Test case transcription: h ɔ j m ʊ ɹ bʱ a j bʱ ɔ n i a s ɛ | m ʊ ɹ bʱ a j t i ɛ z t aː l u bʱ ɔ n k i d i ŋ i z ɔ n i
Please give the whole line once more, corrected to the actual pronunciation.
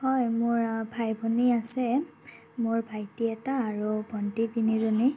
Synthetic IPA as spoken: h ɔ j m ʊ ɹ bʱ a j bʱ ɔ n i a s ɛ | m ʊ ɹ bʱ a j t i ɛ t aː ɹ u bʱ ɔ n t i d i n i z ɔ n i